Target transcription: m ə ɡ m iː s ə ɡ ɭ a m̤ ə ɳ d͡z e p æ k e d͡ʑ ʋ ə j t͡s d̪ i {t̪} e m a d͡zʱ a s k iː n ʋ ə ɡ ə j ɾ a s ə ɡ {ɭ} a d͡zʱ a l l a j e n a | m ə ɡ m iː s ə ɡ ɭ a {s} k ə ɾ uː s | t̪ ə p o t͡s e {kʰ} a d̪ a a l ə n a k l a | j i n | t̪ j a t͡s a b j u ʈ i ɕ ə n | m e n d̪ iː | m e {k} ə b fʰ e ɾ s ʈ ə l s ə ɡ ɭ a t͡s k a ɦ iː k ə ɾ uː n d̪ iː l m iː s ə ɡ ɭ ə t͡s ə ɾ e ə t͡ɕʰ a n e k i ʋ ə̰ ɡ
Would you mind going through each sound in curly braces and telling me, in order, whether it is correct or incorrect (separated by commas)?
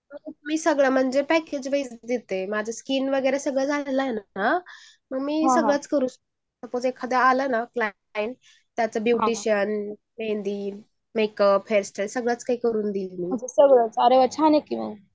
correct, correct, incorrect, correct, correct